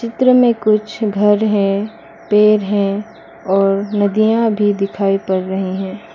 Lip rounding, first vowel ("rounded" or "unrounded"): unrounded